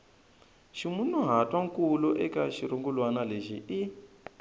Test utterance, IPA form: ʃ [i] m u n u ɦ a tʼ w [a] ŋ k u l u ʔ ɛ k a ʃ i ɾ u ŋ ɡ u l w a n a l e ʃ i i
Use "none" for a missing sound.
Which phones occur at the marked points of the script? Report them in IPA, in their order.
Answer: i, a

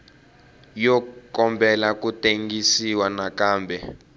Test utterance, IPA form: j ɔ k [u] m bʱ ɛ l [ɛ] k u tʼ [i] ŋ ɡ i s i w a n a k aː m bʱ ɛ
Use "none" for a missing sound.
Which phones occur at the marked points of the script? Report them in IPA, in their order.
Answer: ɔ, a, e

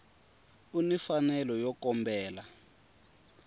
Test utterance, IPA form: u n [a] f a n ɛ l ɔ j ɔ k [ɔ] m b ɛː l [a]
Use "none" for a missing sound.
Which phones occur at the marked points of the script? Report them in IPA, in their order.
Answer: i, ɔ, a

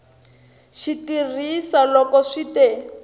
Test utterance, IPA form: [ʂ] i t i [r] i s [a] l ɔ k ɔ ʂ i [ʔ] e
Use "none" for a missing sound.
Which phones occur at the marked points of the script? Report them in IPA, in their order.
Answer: ʃ, r, a, t

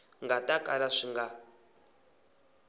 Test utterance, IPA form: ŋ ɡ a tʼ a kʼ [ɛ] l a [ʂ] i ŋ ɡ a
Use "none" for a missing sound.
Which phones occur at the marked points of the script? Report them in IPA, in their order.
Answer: a, ʂ

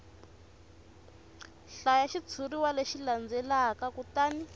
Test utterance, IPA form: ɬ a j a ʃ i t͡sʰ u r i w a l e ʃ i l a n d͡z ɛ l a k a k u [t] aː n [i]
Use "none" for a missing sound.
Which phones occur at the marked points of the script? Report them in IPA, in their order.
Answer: t, i

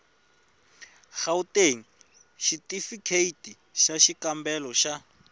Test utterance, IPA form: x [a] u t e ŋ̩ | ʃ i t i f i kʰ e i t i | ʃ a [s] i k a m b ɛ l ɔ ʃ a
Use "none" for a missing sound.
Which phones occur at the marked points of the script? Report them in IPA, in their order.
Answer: a, ʃ

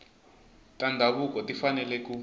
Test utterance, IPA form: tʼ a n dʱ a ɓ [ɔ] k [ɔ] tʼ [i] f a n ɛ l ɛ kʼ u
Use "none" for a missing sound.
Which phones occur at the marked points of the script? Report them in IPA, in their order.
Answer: u, ɔ, i

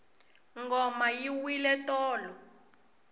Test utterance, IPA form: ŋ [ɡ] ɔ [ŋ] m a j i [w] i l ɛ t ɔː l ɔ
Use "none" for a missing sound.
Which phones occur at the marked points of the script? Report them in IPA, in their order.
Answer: ɡ, none, w

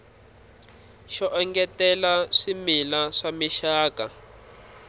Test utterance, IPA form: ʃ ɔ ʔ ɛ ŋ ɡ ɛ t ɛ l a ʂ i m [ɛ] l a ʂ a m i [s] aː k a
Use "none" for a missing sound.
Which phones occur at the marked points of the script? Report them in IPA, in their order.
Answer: i, ʃ

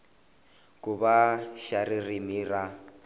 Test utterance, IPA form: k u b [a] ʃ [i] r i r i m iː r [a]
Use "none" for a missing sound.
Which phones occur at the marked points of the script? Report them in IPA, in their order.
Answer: a, a, a

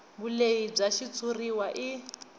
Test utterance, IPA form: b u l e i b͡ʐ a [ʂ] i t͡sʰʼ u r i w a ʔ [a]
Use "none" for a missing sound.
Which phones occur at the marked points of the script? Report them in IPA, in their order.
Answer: ʃ, i

